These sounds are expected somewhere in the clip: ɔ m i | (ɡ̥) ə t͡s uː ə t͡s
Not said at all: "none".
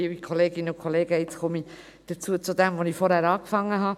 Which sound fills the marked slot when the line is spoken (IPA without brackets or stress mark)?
d̥